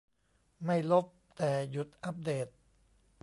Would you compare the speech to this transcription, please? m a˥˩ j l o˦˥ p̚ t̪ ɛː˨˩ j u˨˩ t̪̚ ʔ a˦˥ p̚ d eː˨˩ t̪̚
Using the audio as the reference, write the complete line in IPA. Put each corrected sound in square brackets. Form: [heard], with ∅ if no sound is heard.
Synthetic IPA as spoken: m a˥˩ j l o˦˥ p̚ t̪ ɛː˨˩ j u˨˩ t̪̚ ʔ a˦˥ p̚ d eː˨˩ t̪̚